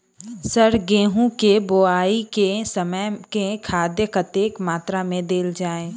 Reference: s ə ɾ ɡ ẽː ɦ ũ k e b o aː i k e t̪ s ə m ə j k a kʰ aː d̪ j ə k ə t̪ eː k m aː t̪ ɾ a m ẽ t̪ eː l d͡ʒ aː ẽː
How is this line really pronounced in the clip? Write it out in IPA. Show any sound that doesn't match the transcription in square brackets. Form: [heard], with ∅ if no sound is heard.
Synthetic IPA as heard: s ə ɾ ɡ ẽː ɦ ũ k e b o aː i k e [∅] s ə m ə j k [e] kʰ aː d̪ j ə k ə t̪ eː k m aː t̪ ɾ a m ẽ [d̪] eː l d͡ʒ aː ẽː